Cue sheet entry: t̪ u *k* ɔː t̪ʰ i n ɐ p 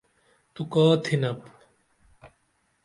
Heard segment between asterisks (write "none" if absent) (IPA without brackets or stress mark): k